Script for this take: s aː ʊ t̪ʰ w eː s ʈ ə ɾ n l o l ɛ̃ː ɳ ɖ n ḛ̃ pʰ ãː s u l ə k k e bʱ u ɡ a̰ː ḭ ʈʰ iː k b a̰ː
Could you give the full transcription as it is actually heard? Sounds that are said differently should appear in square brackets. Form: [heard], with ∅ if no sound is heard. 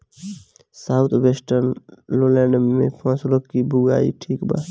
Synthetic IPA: s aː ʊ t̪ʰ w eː s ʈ ə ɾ n l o l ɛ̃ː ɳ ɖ [m] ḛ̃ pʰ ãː s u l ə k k [i] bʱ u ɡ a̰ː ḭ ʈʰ iː k b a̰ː